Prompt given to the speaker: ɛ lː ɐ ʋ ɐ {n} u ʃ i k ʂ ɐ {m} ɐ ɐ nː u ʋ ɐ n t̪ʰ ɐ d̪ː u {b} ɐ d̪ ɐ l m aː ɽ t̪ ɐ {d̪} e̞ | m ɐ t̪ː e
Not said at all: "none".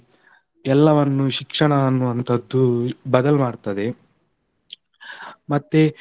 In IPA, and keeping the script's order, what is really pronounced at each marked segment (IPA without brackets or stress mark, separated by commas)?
nː, ɳ, b, d̪